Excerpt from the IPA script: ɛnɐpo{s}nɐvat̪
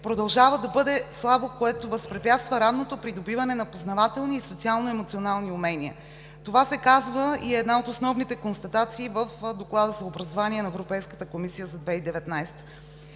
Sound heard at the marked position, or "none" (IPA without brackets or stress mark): z